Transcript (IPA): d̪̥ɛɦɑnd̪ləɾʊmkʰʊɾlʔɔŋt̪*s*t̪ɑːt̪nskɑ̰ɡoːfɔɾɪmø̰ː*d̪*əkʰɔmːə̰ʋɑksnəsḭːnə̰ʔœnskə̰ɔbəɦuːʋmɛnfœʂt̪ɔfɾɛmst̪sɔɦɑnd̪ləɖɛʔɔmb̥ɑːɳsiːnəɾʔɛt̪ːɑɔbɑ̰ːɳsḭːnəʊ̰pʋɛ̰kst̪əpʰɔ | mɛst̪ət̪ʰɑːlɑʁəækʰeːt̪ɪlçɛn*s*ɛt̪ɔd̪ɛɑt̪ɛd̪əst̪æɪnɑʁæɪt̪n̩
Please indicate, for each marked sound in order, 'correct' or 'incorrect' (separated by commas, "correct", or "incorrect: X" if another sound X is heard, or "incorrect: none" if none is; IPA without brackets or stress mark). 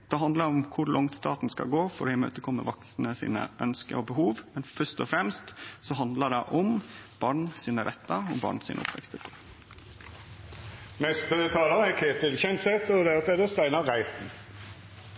correct, incorrect: t̪, correct